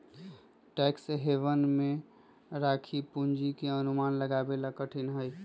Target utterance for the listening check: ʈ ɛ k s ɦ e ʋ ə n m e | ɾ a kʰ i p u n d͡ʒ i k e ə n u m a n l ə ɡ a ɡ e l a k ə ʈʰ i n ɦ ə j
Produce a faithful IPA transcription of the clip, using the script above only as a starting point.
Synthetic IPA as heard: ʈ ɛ k s ɦ e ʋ ə n m e | ɾ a kʰ i p u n d͡ʒ i k e ə n u m a n l ə ɡ a b e l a k ə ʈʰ i n ɦ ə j